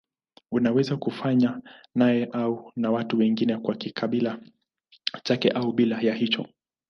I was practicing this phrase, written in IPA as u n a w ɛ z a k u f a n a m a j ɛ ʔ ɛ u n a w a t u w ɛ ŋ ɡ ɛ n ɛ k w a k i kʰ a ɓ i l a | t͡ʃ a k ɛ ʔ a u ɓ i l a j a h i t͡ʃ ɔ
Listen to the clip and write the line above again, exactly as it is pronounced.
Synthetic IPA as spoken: u n a w ɛ z a k u f a ɲ a n a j ɛ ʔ a u n a w a t u w ɛ ŋ ɡ i n ɛ k w a k i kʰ a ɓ i l a | t͡ʃ a k ɛ ʔ a u ɓ i l a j a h i t͡ʃ ɔ